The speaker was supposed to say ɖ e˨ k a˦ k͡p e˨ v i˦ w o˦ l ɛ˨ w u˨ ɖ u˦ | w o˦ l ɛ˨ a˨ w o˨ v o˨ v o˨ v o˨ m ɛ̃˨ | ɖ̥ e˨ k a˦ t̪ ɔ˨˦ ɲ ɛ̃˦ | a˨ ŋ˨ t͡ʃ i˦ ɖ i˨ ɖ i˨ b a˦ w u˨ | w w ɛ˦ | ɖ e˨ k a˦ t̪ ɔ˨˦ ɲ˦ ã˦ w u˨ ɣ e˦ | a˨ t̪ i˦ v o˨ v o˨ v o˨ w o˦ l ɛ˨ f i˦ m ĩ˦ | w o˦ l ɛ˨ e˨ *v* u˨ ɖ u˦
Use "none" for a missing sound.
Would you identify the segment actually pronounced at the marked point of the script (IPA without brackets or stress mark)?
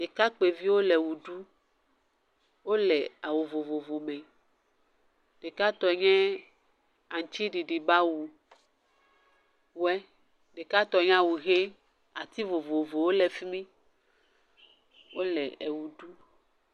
w